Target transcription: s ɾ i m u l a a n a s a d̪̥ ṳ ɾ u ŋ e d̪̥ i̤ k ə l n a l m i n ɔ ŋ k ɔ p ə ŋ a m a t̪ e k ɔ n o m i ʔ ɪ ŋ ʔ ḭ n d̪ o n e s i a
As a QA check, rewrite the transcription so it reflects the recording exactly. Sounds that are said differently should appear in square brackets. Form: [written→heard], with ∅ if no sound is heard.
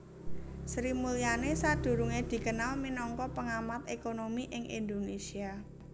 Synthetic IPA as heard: s ɾ i m u l [a→i] a n [a→e] s a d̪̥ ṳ ɾ u ŋ e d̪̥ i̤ k ə [l→∅] n a l m i n ɔ ŋ k ɔ p ə ŋ a m a t̪ e k [ɔ→o] n o m i ʔ ɪ ŋ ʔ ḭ n d̪ o n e s i a